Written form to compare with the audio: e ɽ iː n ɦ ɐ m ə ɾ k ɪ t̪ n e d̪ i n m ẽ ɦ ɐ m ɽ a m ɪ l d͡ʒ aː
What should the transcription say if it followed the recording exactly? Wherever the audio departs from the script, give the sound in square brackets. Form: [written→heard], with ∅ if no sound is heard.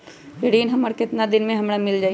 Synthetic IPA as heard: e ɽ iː n ɦ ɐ m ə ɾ k ɪ t̪ n [e→a] d̪ [i→ɪ] n m ẽ ɦ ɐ m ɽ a m ɪ l d͡ʒ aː